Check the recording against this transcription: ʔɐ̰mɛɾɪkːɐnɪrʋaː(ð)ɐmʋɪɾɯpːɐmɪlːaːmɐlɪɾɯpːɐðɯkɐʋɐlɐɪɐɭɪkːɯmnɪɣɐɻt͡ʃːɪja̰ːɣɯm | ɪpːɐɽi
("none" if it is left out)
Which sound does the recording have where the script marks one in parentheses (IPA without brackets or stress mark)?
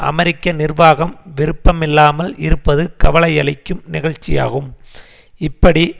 ɣ